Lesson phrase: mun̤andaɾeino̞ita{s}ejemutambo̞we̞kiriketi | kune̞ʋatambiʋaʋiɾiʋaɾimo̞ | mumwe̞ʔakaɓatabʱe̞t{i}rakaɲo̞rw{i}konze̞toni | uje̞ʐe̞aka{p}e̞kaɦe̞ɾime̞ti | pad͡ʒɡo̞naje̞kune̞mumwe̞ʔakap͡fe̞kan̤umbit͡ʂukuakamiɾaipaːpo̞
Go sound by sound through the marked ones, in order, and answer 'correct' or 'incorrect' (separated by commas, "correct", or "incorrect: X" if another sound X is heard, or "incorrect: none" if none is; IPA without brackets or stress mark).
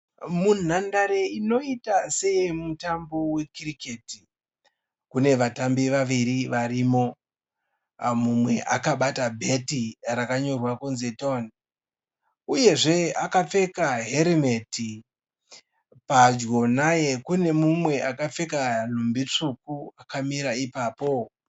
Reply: correct, correct, incorrect: a, incorrect: p͡f